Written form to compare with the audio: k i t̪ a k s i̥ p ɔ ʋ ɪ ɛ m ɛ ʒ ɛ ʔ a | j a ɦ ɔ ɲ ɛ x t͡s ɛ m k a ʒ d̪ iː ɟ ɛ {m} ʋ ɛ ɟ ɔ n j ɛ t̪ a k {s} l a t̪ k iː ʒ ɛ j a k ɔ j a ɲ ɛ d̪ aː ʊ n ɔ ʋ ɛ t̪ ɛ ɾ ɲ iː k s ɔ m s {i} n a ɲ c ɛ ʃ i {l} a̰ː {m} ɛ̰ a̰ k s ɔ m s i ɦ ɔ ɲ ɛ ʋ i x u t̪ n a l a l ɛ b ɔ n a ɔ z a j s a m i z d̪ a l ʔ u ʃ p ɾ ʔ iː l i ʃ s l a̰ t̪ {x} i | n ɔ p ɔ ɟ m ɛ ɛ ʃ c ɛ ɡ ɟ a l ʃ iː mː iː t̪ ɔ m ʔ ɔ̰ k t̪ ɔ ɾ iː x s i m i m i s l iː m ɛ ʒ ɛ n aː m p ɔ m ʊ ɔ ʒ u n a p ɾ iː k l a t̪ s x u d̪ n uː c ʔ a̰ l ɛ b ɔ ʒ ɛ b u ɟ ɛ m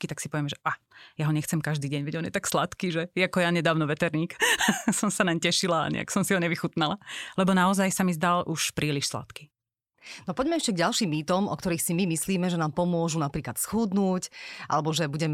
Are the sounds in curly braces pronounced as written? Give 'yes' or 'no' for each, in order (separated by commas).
no, yes, no, yes, no, no